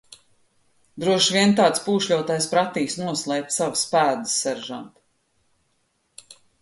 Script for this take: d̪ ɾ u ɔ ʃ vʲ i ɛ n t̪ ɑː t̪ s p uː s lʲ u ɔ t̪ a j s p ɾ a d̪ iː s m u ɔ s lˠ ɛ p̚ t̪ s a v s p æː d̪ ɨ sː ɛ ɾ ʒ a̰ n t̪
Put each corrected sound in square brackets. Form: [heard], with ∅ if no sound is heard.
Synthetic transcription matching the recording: d̪ ɾ u ɔ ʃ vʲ i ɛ n t̪ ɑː t̪ s p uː [ʃ] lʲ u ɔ t̪ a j s p ɾ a [t̪] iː s [n] u ɔ s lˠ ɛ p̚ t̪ s a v s p æː d̪ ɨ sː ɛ ɾ ʒ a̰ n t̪